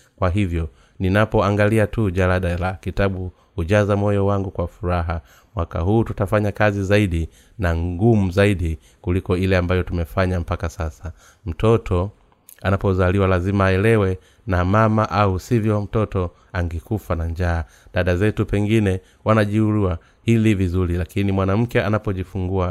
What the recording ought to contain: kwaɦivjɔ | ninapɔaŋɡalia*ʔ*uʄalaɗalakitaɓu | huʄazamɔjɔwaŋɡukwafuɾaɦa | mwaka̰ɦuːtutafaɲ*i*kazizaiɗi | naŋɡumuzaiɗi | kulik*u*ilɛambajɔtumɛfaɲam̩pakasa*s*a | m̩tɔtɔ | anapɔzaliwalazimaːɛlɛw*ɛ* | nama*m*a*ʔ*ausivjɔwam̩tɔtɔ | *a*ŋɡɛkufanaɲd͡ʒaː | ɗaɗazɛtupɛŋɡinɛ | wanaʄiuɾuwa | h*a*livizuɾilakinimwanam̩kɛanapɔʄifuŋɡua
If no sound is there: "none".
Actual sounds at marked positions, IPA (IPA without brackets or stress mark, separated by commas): t, a, ɔ, s, ɛ, m, ʔ, a, i